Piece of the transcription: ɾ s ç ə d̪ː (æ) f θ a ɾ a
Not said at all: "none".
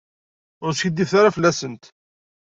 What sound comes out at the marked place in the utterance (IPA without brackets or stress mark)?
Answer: i